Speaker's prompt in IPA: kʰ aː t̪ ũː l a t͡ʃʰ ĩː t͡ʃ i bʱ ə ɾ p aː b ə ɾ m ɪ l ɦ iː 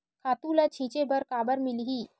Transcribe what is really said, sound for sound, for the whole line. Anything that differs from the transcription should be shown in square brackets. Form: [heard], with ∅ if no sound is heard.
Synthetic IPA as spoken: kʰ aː t̪ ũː l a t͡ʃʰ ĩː t͡ʃ [e] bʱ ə ɾ [k] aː b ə ɾ m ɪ l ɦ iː